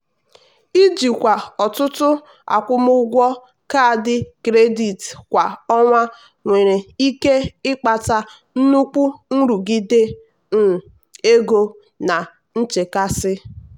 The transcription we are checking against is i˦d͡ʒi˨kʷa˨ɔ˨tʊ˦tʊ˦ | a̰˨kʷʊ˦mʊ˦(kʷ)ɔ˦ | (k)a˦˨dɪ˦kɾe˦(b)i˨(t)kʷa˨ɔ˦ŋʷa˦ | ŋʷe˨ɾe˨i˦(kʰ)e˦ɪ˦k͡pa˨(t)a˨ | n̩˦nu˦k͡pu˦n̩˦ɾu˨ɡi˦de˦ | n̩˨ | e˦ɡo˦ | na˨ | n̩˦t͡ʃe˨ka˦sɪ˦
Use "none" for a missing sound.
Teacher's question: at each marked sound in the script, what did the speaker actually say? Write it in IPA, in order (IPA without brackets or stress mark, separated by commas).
ɡʷ, k, d, t, k, t